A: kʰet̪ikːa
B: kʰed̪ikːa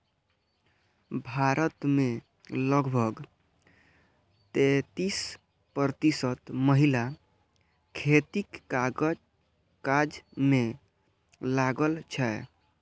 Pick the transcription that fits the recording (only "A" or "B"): A